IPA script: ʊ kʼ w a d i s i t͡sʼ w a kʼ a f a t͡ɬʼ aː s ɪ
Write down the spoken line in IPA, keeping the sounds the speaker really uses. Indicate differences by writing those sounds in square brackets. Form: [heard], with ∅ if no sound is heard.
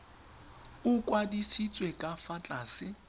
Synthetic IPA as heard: ʊ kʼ w a d i s i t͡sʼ w [e] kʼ a f a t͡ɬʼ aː s ɪ